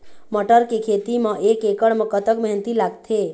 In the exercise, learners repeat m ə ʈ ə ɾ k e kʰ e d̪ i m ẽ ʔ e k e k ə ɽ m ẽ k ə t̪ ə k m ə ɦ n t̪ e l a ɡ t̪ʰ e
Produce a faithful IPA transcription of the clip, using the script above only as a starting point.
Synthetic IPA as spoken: m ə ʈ ə ɾ k e kʰ e t̪ i m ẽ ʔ e k e k ə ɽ m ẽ k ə t̪ ə k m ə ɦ n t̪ i l a ɡ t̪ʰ e